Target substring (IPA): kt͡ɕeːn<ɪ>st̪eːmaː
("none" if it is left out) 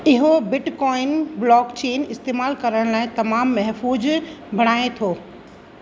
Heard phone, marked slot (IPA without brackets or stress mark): ɪ